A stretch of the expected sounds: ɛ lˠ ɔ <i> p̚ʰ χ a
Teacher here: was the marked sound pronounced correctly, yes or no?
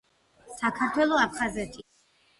no